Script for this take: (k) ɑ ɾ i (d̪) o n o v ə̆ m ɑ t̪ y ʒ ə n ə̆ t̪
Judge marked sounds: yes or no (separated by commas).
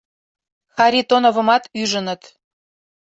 no, no